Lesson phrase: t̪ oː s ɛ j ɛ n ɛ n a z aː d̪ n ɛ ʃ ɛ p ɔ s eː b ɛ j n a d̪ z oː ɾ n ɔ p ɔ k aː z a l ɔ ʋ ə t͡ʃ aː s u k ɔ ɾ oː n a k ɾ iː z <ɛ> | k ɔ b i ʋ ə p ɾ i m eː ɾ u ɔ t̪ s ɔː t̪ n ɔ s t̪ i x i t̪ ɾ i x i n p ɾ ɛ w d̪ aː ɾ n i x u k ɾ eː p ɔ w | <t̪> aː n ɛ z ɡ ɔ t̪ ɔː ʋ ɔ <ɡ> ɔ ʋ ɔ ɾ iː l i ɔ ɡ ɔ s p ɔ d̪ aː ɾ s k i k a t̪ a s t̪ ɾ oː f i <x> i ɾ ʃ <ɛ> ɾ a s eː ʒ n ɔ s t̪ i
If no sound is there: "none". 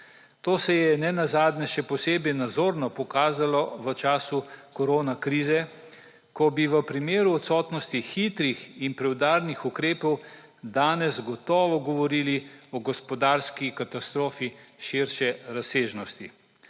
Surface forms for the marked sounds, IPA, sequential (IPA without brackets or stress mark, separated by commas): ɛ, d̪, ɡ, ʃ, ɛ